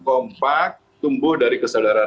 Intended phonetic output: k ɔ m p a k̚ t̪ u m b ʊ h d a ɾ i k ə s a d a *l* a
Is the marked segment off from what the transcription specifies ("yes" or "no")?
yes